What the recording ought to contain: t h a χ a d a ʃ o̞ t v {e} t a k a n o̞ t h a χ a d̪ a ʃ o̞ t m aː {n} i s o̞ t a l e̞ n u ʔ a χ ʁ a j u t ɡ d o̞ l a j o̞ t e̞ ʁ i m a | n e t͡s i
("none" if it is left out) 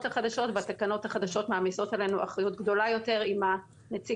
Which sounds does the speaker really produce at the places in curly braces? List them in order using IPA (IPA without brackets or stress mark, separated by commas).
a, m